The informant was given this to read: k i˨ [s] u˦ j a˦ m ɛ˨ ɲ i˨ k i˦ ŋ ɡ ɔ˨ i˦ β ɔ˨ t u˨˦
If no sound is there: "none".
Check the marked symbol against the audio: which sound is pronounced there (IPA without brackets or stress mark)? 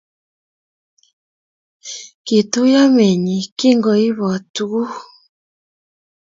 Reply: t